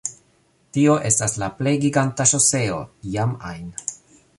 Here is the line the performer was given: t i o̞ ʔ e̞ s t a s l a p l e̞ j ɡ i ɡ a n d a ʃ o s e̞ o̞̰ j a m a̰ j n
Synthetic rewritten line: t i o̞ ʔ e̞ s t a s l a p l e̞ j ɡ i ɡ a n t a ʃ o s e̞ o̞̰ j a m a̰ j n